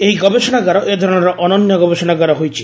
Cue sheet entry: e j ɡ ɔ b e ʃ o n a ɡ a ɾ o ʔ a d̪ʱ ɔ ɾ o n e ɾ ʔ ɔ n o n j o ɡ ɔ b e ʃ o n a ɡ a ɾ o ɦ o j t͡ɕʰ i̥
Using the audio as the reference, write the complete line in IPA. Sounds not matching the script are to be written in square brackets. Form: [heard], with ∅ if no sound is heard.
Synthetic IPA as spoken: e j ɡ ɔ b e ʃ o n a ɡ a ɾ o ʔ [e] d̪ʱ ɔ ɾ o n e ɾ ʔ ɔ n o n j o ɡ ɔ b e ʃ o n a ɡ a ɾ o ɦ o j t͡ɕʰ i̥

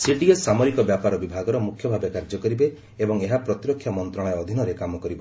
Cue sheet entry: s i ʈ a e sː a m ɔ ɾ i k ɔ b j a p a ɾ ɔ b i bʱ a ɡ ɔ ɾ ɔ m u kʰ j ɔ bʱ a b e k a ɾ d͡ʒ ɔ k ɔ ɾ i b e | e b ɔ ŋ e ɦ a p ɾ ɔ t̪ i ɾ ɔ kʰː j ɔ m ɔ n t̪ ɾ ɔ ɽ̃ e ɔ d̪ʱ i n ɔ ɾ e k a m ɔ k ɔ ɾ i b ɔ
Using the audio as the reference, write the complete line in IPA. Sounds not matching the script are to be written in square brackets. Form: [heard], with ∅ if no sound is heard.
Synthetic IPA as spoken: s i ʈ [i] e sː a m ɔ ɾ i k ɔ b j a p a ɾ ɔ b i bʱ a ɡ ɔ ɾ ɔ m u kʰ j ɔ bʱ a b e k a ɾ d͡ʒ ɔ k ɔ ɾ i b e | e b ɔ ŋ e ɦ a p ɾ ɔ t̪ i ɾ ɔ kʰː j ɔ m ɔ n t̪ ɾ ɔ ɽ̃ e ɔ d̪ʱ i n ɔ ɾ e k a m ɔ k ɔ ɾ i b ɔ

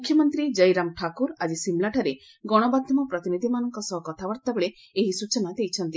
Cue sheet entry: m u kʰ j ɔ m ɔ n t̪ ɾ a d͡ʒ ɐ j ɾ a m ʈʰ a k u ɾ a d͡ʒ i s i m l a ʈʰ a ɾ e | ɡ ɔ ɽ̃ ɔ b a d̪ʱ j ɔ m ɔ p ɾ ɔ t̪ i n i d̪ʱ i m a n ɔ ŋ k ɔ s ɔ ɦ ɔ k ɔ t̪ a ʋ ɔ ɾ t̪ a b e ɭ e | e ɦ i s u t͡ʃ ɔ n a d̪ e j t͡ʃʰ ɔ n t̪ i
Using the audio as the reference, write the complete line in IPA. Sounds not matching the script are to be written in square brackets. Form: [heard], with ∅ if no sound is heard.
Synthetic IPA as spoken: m u kʰ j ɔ m ɔ n t̪ ɾ [i] d͡ʒ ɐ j ɾ a m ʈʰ a k u ɾ a d͡ʒ i s i m l a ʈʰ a ɾ e | ɡ ɔ ɽ̃ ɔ b a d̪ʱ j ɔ m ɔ p ɾ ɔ t̪ i n i d̪ʱ i m a n ɔ ŋ k ɔ s ɔ ɦ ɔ k ɔ [t̪ʰ] a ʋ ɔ ɾ t̪ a b e ɭ e | e ɦ i s u t͡ʃ ɔ n a d̪ e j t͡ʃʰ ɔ n t̪ i

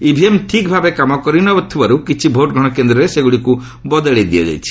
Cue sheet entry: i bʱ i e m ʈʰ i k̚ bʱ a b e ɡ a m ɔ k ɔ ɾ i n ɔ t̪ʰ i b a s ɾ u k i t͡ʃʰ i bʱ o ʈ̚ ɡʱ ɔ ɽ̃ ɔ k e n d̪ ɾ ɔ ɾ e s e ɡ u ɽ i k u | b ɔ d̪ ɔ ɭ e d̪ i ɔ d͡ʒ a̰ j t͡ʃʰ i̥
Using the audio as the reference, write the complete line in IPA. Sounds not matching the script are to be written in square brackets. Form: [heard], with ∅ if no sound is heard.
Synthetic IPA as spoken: i bʱ i e m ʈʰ i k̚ bʱ a b e [k] a m ɔ k ɔ ɾ i n ɔ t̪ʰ i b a [∅] ɾ u k i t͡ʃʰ i bʱ o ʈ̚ ɡʱ ɔ ɽ̃ ɔ k e n d̪ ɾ ɔ ɾ e s e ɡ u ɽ i k u | b ɔ d̪ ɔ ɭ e d̪ i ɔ d͡ʒ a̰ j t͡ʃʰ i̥

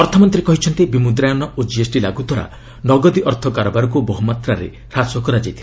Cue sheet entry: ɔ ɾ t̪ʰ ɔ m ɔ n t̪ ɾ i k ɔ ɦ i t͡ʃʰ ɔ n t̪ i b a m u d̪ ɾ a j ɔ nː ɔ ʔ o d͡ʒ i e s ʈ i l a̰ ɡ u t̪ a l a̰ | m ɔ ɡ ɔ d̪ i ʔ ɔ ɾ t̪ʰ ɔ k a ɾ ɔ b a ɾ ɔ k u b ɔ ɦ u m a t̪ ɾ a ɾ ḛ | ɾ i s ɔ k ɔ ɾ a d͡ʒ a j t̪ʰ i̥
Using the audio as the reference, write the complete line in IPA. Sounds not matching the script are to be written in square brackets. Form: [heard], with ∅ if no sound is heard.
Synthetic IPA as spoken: ɔ ɾ t̪ʰ ɔ m ɔ n t̪ ɾ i k ɔ ɦ i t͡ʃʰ ɔ n t̪ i b [i] m u d̪ ɾ a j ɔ [n] ɔ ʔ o d͡ʒ i e s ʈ i l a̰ ɡ u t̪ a [ɾ] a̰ | [n] ɔ ɡ ɔ d̪ i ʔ ɔ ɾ t̪ʰ ɔ k a ɾ ɔ b a ɾ ɔ k u b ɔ ɦ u m a t̪ ɾ a ɾ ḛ | ɾ [a] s ɔ k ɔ ɾ a d͡ʒ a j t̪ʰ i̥

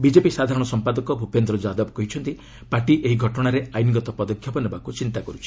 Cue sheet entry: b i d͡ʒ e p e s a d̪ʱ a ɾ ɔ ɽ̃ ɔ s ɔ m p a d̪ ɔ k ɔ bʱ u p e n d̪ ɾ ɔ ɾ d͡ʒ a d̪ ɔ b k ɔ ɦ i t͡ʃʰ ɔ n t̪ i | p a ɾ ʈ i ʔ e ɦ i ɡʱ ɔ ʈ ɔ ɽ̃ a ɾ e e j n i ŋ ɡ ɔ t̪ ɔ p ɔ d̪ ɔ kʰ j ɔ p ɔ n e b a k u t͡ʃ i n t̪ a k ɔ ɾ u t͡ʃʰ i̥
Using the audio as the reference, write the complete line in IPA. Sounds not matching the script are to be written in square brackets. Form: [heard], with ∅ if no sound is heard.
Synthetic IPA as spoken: b i d͡ʒ e p [i] s a d̪ʱ a ɾ ɔ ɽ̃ ɔ s ɔ m p a d̪ ɔ k ɔ bʱ u p e n d̪ ɾ ɔ [∅] d͡ʒ a d̪ ɔ b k ɔ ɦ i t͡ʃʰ ɔ n t̪ i | p a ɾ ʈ i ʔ e ɦ i ɡʱ ɔ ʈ ɔ ɽ̃ a ɾ e [a] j n i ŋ ɡ ɔ t̪ ɔ p ɔ d̪ ɔ kʰ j ɔ p ɔ n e b a k u t͡ʃ i n t̪ a k ɔ ɾ u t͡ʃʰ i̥

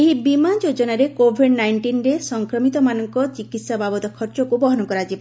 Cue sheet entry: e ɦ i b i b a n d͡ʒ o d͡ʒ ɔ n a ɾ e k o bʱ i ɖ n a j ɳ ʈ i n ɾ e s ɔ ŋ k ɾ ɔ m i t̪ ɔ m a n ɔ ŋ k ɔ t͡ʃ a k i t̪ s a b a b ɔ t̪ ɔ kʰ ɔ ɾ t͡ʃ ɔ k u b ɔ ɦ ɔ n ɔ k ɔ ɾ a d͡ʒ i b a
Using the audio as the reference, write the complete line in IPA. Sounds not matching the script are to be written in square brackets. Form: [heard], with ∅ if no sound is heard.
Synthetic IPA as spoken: e ɦ i b i [m] a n d͡ʒ o d͡ʒ ɔ n a ɾ e k o bʱ i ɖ n a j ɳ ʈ i n ɾ e s ɔ ŋ k ɾ ɔ m i t̪ ɔ m a n ɔ ŋ k ɔ t͡ʃ [i] k i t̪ s a b a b ɔ t̪ ɔ kʰ ɔ ɾ t͡ʃ ɔ k u b ɔ ɦ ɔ n ɔ k ɔ ɾ a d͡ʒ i b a

